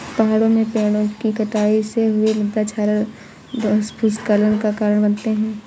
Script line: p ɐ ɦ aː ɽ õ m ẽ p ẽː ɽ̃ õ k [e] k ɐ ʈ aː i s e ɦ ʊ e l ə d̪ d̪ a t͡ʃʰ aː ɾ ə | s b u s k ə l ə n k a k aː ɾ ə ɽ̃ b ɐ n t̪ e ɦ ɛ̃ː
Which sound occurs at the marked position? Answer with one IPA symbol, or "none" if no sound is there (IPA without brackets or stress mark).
i